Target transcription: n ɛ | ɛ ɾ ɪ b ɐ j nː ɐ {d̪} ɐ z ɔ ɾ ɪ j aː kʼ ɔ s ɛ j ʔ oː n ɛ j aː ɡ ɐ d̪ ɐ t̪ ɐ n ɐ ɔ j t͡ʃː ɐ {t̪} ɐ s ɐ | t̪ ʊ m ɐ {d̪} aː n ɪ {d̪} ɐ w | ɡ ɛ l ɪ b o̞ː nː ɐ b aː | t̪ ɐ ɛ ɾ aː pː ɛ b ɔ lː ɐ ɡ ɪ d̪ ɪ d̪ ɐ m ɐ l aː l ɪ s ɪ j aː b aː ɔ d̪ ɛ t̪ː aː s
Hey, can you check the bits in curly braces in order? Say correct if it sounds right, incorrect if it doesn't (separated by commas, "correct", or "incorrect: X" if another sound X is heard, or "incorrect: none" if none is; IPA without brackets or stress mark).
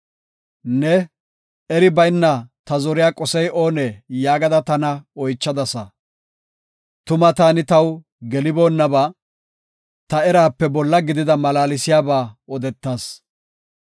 incorrect: t̪, incorrect: d̪, incorrect: t̪, incorrect: t̪